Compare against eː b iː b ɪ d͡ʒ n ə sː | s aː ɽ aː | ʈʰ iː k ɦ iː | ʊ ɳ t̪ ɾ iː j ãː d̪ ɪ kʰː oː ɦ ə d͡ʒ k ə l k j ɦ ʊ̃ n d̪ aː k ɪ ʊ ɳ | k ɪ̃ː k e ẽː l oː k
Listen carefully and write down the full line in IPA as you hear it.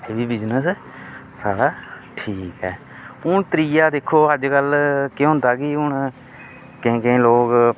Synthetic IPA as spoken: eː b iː b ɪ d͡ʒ n ə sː | s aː ɽ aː | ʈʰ iː k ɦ ɛː | ʊ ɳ t̪ ɾ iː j aː d̪ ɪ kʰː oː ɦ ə d͡ʒ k ə l k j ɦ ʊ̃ n d̪ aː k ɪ ʊ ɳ | k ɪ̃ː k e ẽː l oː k